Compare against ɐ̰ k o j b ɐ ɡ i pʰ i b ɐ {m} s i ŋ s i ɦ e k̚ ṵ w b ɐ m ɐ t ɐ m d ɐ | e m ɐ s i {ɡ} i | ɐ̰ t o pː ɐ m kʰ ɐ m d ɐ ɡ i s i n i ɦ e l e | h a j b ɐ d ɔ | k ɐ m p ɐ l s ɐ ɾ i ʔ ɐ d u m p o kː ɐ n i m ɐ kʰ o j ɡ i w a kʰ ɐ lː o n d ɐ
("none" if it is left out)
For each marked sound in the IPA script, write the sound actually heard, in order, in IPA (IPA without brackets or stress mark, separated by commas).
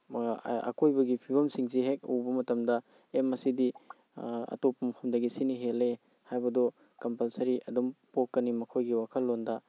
m, d